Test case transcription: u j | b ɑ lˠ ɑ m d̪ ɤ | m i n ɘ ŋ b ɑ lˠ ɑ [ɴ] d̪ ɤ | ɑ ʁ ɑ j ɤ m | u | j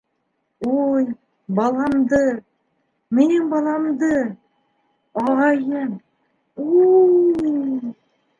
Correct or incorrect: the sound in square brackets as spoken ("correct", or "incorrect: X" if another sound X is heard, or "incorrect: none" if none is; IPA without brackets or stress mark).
incorrect: m